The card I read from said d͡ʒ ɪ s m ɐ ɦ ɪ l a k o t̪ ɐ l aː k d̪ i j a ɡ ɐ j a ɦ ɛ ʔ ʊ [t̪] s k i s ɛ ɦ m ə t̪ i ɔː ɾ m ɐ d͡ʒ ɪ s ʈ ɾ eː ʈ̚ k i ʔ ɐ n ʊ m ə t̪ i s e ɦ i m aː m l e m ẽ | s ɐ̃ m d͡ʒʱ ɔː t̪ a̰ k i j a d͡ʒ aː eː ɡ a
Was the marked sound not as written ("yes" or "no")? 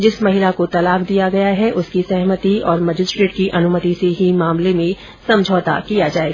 yes